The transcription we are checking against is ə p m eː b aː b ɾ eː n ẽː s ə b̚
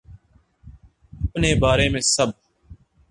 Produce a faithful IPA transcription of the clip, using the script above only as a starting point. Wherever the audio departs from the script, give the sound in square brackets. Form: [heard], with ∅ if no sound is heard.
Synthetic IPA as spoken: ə p [n] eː b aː [∅] ɾ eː [m] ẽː s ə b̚

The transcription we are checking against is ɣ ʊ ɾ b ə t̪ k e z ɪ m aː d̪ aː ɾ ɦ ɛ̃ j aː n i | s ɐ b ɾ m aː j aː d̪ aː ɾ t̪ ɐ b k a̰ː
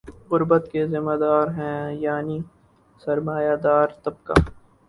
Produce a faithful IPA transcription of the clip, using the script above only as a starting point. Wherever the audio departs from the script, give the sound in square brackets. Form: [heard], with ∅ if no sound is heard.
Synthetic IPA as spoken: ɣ ʊ ɾ b ə t̪ k e z ɪ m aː d̪ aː ɾ ɦ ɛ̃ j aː n i | s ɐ [∅] ɾ m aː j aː d̪ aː ɾ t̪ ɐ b k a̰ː

